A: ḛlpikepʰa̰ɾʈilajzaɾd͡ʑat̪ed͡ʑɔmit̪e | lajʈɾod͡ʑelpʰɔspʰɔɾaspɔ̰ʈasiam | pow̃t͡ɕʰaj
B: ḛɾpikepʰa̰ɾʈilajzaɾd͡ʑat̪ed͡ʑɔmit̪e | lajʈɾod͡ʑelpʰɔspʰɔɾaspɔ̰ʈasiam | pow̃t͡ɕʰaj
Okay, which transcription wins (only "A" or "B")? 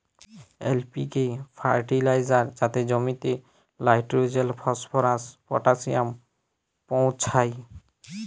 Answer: A